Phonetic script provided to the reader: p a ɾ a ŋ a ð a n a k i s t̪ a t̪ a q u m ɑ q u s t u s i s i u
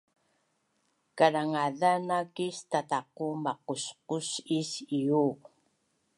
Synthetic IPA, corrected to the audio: k a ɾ a ŋ a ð a n a k i s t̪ a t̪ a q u m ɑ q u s q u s i s i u